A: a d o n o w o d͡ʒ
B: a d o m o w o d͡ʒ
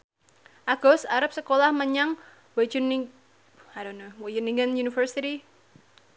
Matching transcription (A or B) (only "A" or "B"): A